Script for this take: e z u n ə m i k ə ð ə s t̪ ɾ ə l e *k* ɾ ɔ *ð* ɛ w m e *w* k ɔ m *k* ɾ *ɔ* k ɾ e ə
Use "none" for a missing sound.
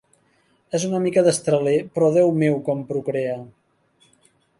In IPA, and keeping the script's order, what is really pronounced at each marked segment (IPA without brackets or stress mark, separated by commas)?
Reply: p, ð, w, p, u